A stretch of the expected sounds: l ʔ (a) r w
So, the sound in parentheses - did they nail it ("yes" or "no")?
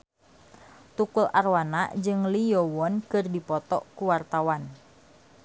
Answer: yes